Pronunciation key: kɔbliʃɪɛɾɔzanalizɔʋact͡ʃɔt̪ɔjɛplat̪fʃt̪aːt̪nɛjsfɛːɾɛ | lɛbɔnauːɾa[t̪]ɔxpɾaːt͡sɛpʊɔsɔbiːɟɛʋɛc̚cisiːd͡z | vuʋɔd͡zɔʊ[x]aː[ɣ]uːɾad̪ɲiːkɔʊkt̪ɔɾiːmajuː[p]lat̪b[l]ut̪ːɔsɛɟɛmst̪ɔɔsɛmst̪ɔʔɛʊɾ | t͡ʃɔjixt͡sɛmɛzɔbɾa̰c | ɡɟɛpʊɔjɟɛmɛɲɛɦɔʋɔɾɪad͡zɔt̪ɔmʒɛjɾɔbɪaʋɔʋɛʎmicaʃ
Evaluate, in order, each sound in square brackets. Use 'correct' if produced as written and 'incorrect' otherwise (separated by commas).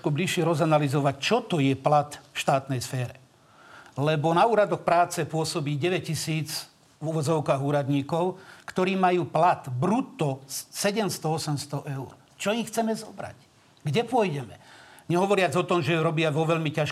incorrect, incorrect, correct, correct, incorrect